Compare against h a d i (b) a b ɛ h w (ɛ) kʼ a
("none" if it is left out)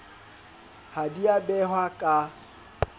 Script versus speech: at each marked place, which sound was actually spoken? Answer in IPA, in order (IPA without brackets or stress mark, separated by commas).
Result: none, a